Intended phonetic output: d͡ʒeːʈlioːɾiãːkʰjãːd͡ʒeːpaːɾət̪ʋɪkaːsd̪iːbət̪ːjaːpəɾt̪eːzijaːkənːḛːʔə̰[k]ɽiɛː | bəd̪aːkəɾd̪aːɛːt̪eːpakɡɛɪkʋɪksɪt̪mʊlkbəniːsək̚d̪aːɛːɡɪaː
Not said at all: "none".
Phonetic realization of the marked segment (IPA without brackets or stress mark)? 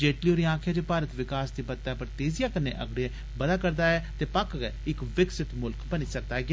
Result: ɡ